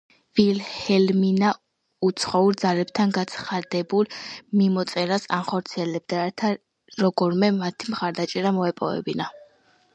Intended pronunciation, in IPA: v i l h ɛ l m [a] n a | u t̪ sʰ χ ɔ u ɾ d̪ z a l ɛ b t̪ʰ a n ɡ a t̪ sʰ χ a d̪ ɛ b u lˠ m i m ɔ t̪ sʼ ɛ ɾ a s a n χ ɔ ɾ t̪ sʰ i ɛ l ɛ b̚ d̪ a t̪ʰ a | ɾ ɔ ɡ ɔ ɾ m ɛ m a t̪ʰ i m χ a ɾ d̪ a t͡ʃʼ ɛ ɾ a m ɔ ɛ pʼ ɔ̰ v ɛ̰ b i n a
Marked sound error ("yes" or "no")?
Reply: yes